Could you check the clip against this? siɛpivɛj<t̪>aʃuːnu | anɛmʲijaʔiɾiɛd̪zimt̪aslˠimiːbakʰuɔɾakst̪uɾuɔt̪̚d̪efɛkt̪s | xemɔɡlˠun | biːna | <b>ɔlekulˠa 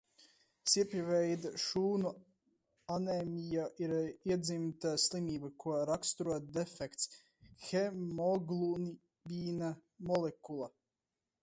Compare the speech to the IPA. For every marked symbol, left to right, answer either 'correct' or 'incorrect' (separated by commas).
incorrect, incorrect